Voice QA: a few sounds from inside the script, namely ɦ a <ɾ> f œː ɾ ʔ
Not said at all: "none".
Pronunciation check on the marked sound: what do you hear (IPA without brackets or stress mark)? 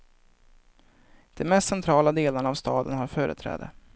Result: ɾ